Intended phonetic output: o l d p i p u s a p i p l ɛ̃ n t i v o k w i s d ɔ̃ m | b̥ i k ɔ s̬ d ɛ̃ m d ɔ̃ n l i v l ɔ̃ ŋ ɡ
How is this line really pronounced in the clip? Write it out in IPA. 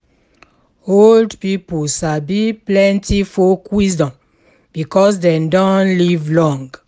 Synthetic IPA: o l d p i p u s a b i p l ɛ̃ n t i f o k w i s d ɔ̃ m | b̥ i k ɔ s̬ d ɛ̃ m d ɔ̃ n l i v l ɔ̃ ŋ ɡ